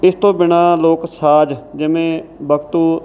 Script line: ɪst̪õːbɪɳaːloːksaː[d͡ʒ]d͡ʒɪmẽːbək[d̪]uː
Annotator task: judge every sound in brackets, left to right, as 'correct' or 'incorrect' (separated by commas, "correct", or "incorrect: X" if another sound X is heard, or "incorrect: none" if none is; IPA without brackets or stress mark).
correct, incorrect: t̪